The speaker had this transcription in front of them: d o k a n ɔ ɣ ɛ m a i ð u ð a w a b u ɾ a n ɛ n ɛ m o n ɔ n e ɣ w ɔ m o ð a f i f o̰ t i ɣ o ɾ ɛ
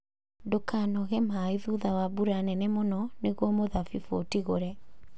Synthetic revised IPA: d o k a n ɔ ɣ ɛ m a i ð u ð a w a b u ɾ a n ɛ n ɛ m o n ɔ n e ɣ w ɔ m o ð a f i f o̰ t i ɣ o ɾ ɛ